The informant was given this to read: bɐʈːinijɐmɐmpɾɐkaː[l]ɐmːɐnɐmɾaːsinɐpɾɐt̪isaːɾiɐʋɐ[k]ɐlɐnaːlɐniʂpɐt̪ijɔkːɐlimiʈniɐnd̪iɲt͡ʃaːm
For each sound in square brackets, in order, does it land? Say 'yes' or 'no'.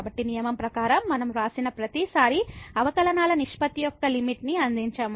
no, yes

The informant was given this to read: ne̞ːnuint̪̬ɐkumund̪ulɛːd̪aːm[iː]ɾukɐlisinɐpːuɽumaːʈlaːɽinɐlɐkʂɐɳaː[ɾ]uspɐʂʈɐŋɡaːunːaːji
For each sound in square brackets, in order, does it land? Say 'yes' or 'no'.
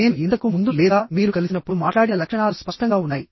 yes, no

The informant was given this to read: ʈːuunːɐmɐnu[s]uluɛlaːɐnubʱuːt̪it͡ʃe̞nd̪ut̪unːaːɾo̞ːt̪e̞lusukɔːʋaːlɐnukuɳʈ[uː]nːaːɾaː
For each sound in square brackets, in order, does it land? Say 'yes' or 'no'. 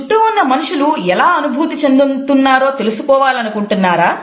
no, no

